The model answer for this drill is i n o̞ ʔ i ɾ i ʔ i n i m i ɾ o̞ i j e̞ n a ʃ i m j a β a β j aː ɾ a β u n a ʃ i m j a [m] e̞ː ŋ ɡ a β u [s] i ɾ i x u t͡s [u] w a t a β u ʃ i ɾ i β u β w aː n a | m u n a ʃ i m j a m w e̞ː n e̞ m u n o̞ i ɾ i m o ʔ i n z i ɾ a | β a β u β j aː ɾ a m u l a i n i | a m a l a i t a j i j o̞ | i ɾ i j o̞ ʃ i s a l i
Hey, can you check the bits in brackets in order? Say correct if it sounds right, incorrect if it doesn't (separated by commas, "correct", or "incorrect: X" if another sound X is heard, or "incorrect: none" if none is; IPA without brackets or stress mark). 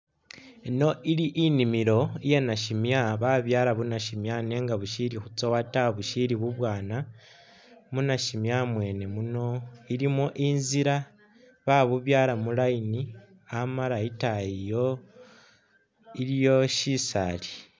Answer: incorrect: n, incorrect: ʃ, incorrect: o